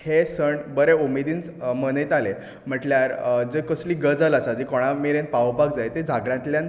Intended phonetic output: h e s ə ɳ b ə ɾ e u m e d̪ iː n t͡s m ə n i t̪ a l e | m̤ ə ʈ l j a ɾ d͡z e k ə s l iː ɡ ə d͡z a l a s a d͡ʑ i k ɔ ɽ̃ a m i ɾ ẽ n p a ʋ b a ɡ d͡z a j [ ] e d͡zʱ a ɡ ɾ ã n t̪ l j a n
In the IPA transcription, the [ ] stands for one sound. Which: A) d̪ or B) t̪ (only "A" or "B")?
B